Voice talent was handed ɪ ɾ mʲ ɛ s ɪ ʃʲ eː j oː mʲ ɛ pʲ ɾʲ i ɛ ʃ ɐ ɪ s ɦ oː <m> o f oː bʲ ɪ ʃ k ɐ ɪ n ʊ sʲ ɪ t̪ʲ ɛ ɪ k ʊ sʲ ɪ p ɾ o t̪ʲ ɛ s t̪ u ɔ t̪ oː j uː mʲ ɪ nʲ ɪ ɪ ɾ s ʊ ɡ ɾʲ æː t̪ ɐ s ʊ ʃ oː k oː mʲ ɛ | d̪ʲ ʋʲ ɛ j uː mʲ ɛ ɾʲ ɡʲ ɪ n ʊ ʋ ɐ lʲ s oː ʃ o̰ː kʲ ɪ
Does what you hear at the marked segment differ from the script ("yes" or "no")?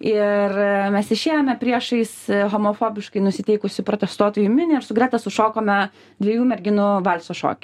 no